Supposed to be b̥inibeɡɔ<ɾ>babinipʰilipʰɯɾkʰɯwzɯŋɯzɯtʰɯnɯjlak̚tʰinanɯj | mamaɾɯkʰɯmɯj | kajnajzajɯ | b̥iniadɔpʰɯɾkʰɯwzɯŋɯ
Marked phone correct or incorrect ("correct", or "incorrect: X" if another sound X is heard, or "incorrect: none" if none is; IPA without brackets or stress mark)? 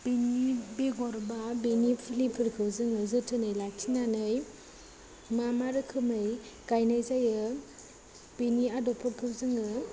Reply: correct